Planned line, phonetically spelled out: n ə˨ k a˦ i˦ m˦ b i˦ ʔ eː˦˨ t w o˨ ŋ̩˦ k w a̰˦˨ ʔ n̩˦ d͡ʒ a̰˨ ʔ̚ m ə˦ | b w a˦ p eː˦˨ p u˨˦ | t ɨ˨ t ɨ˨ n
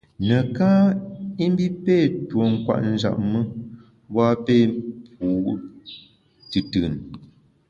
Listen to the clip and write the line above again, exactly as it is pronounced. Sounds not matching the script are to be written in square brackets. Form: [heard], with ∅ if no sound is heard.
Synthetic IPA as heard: n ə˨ k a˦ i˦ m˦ b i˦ [p] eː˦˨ t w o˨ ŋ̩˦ k w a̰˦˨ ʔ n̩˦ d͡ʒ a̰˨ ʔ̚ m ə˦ | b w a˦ p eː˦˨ p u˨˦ | t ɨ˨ t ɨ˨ n